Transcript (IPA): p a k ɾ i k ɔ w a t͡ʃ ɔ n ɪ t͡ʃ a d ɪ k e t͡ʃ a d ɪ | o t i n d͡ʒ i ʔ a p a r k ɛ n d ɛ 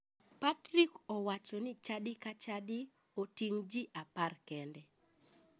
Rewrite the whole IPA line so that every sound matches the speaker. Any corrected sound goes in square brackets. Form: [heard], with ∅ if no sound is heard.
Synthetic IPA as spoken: p a [t] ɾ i k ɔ w a t͡ʃ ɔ n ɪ t͡ʃ a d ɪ k [a] t͡ʃ a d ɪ | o t i [ŋ] d͡ʒ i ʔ a p a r k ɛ n d ɛ